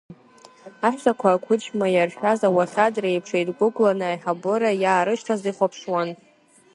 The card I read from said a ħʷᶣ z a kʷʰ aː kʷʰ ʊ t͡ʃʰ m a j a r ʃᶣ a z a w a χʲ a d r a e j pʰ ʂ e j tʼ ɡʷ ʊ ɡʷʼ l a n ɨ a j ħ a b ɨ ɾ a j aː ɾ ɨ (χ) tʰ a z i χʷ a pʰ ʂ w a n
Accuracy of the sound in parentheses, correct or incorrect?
incorrect: ʃ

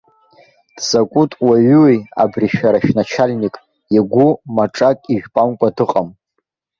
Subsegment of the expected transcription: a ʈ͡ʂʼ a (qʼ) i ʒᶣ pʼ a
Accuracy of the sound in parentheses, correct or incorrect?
incorrect: kʼ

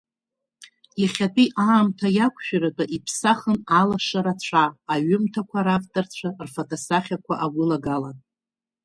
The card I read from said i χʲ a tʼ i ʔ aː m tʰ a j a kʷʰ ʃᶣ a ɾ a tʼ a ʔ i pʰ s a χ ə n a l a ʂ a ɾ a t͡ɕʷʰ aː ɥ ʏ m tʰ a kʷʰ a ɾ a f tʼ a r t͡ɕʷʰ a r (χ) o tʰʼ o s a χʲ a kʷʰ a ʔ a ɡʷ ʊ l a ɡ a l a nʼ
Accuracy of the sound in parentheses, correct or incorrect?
incorrect: f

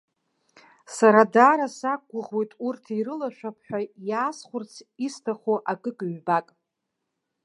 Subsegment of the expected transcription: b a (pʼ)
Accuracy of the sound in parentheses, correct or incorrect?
incorrect: kʼ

